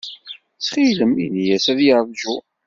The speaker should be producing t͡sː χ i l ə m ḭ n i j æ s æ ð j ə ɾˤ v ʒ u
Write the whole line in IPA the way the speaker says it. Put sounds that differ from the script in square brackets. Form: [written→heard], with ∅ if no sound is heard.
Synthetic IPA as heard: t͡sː χ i l ə m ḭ n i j æ s æ ð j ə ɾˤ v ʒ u

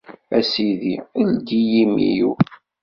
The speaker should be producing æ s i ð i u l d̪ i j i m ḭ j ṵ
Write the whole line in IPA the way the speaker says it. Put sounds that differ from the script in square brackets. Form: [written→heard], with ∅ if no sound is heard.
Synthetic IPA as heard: æ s i ð i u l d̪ i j i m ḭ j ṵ

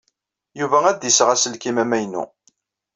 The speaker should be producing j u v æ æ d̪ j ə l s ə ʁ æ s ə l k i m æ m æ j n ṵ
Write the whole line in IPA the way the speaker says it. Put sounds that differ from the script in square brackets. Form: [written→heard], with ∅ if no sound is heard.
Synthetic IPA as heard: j u v æ æ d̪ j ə [l→∅] s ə ʁ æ s ə l k i m æ m æ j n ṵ

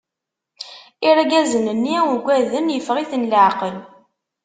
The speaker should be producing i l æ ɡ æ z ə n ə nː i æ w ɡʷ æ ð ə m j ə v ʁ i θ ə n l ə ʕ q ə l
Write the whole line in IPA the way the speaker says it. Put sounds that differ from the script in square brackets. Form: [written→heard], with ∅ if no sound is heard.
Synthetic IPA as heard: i [l→ɾ] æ ɡ æ z ə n ə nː i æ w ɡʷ æ ð ə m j ə [v→f] ʁ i θ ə n l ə ʕ q ə l

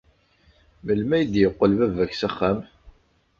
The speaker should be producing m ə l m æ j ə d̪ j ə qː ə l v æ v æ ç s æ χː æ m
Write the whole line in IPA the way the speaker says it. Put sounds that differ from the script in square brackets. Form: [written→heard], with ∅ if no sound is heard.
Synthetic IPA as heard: m ə l m æ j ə d̪ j ə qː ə l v æ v æ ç s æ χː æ m

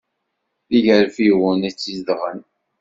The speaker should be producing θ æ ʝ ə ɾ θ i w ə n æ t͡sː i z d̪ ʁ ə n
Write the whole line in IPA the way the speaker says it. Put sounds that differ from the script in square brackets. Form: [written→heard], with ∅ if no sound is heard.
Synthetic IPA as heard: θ [æ→i] ʝ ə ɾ [θ→f] i w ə n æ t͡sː i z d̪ ʁ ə n

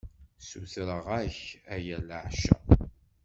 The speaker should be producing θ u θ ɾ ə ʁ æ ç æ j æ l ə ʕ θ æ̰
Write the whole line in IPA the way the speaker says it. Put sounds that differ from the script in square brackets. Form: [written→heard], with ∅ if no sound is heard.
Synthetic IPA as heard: [θ→s] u θ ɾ ə ʁ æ ç æ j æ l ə ʕ [θ→ʃ] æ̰

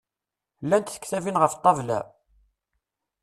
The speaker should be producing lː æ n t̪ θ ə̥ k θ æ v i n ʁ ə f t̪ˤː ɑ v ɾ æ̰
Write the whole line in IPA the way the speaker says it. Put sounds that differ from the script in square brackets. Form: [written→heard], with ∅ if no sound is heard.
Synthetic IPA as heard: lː æ n t̪ θ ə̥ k θ æ v i n ʁ ə f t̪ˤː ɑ v [ɾ→l] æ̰

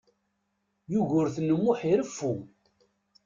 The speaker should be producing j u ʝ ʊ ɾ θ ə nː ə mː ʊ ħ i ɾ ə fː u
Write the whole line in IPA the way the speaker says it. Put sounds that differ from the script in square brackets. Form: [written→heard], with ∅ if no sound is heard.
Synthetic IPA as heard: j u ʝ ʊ ɾ θ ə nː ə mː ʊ ħ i ɾ ə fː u

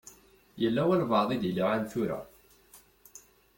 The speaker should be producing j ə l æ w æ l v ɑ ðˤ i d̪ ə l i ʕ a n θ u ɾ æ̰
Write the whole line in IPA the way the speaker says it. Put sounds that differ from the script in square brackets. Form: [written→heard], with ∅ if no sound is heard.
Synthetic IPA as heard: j ə [l→lː] æ w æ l v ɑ ðˤ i d̪ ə l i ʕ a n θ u ɾ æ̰

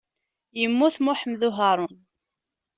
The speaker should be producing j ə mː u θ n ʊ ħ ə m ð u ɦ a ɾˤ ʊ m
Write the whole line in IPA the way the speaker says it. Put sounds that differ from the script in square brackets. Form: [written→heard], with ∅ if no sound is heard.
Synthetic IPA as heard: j ə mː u θ [n→m] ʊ ħ ə m ð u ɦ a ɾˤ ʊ [m→n]

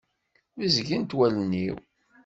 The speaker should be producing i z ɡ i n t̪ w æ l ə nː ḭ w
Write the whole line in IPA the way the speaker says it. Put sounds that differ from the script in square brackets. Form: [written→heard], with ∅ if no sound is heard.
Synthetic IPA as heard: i z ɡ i n t̪ w æ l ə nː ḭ w

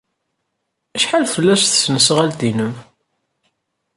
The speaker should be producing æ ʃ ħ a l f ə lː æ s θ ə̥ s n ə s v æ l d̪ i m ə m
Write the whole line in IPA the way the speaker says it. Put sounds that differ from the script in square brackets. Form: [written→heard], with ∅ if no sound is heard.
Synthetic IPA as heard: æ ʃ ħ a l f ə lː æ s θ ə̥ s n ə s [v→ʁ] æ l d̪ i [m→n] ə m

